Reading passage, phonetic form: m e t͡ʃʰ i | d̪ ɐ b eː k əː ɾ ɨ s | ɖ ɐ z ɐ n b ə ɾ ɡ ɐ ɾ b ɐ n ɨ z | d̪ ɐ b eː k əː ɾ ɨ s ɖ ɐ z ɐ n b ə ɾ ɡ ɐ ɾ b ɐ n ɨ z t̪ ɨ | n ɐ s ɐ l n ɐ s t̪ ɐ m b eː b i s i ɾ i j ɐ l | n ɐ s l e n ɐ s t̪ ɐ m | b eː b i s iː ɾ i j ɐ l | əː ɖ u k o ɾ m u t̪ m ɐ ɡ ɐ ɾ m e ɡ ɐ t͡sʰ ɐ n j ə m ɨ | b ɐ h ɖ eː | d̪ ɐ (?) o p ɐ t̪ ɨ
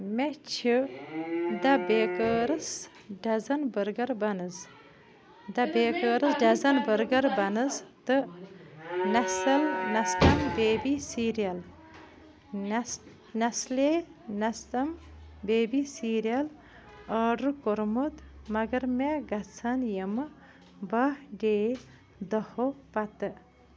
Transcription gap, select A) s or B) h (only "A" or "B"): B